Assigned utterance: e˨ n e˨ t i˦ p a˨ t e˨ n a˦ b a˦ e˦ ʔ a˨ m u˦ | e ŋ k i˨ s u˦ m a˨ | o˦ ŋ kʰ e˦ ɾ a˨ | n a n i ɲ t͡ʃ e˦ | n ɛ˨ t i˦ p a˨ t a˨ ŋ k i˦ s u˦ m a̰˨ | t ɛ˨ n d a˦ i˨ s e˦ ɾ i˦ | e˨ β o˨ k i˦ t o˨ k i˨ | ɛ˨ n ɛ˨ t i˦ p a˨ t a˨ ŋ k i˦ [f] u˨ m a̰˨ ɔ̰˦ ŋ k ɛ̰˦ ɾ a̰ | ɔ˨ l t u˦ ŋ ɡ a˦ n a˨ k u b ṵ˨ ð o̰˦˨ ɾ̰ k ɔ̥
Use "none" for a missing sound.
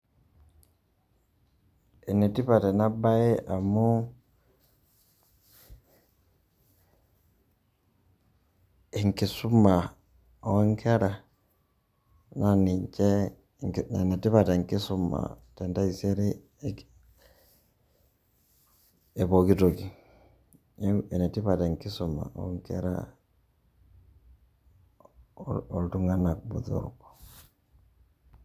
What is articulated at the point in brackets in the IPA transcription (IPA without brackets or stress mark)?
s